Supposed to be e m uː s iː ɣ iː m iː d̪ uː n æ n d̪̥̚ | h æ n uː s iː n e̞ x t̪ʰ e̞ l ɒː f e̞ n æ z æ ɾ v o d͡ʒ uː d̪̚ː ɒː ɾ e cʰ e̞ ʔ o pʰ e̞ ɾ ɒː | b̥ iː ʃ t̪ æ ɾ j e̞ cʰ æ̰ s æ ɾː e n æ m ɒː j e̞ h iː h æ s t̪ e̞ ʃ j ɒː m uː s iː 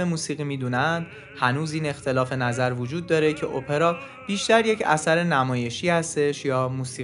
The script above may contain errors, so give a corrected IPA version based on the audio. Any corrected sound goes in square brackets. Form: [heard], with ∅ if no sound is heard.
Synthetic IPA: e m uː s iː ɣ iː m iː d̪ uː n æ n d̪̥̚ | h æ n uː [z] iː n e̞ x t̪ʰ e̞ l ɒː f e̞ n æ z æ ɾ v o d͡ʒ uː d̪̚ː ɒː ɾ e cʰ e̞ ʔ o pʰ e̞ ɾ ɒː | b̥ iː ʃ t̪ æ ɾ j e̞ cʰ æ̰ s æ [ɾ] e n æ m ɒː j e̞ [ʃ] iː h æ s t̪ e̞ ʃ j ɒː m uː s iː